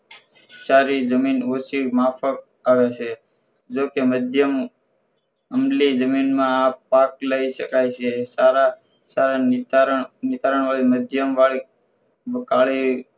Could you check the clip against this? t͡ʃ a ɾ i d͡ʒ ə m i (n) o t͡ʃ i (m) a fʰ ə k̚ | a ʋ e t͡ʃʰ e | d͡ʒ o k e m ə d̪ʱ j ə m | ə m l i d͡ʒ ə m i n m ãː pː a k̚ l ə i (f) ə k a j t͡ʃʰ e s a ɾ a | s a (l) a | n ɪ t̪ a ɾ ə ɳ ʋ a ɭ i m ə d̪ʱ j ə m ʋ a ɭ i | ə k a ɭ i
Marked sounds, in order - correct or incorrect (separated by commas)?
correct, correct, incorrect, incorrect